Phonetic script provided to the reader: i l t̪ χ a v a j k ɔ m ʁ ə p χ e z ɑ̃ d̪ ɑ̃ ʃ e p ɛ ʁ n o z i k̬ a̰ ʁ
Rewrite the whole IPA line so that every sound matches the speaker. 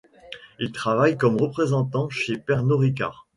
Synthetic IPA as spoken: i l t̪ χ a v a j k ɔ m ʁ ə p χ e z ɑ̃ t̪ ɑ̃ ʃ e p ɛ ʁ n o ʁ i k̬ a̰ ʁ